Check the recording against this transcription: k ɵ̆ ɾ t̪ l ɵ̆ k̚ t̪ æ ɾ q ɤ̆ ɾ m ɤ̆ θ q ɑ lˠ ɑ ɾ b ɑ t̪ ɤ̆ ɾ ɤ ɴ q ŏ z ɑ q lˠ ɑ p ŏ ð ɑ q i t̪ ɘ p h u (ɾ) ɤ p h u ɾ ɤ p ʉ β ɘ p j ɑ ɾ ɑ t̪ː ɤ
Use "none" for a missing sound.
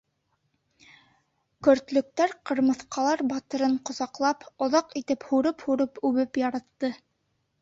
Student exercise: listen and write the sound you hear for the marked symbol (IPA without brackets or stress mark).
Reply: ɾ